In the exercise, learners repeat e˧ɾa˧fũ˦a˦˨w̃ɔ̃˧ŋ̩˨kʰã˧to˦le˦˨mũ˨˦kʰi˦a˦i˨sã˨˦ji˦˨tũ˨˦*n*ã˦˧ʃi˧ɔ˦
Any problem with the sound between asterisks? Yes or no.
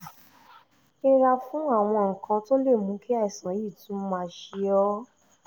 yes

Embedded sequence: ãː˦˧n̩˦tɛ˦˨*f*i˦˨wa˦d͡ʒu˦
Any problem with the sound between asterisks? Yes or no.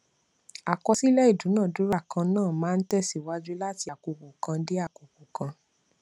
yes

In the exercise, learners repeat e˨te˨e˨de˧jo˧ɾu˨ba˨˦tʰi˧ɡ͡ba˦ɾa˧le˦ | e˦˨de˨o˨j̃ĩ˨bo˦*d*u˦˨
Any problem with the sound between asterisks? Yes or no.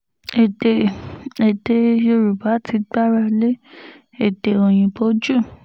yes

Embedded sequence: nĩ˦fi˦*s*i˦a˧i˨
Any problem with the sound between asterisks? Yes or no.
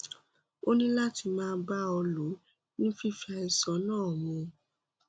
yes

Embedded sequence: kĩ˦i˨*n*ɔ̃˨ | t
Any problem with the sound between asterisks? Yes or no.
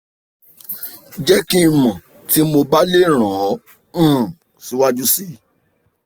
yes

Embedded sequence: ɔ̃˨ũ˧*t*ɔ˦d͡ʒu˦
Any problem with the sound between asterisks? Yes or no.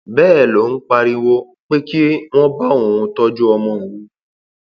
no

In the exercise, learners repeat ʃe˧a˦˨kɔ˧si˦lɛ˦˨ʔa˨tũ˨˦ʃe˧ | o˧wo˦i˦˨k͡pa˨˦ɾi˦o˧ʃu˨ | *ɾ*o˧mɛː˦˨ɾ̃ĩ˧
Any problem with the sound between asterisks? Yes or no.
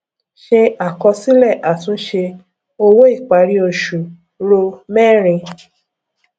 no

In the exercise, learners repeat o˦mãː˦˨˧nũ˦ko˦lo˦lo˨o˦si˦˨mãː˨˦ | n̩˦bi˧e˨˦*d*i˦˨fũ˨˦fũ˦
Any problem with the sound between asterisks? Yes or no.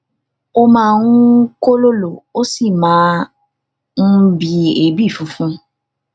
yes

